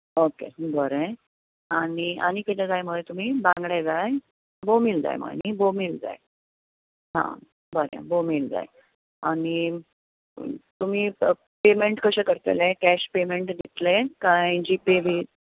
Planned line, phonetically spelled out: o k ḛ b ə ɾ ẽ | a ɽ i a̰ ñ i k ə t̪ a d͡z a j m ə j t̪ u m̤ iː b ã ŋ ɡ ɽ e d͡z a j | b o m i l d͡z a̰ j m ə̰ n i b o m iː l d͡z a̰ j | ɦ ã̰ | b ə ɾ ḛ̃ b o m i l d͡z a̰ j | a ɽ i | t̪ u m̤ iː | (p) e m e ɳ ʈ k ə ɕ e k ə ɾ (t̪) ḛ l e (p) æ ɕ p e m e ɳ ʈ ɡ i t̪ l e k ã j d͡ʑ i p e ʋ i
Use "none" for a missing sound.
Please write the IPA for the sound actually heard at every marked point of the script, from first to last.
p, t̪, k

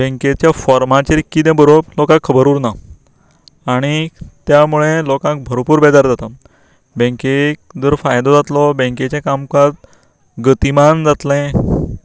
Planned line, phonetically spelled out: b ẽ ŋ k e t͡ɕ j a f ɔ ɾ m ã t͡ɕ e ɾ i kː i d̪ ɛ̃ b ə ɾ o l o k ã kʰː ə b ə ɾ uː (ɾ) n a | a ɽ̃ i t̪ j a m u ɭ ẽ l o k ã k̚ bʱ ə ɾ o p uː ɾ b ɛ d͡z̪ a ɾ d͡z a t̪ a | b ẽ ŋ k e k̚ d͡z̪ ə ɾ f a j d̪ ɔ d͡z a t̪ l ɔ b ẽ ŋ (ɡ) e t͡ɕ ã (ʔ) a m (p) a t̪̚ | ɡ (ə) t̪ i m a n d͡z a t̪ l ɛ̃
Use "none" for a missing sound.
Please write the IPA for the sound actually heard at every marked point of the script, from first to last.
ɾ, k, k, k, ə

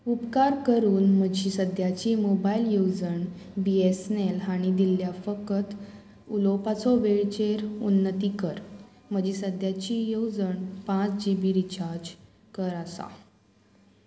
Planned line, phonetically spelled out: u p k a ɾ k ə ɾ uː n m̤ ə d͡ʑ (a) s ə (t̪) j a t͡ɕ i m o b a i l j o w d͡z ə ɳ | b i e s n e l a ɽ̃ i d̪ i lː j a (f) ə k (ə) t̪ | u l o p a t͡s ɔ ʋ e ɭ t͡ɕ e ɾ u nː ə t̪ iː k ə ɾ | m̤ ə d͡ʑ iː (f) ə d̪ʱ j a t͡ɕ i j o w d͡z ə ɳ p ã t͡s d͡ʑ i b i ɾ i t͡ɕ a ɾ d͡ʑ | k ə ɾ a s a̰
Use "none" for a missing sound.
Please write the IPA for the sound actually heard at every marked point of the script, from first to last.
i, d̪, f, ə, s

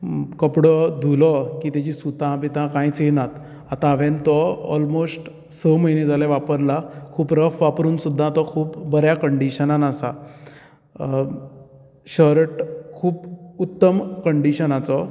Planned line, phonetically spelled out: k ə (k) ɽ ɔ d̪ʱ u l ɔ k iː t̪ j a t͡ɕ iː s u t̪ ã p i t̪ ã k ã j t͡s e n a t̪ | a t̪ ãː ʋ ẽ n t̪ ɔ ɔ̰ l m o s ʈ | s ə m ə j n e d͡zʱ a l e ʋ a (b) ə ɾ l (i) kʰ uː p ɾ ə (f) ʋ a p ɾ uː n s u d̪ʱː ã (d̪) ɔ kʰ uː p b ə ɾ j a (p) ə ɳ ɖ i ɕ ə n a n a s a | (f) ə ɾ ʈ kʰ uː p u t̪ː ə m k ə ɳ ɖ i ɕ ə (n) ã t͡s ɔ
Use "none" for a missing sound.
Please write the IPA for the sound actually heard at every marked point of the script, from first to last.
p, p, a, f, t̪, k, ɕ, n

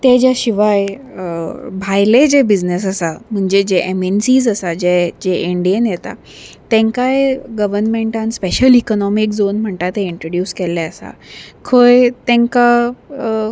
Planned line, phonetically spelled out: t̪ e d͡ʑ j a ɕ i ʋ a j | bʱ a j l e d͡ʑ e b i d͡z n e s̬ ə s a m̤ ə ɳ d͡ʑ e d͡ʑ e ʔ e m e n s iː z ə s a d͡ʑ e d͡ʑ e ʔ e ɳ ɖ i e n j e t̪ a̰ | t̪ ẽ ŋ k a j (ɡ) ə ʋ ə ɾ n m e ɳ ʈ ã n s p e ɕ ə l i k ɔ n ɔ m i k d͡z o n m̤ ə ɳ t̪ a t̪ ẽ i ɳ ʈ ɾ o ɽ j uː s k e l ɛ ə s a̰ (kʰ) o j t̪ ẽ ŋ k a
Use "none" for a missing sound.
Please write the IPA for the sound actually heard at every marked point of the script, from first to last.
ɡ, kʰ

